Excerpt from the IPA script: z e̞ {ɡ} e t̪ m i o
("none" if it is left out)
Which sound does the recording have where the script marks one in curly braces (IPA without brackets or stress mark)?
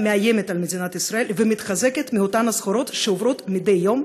k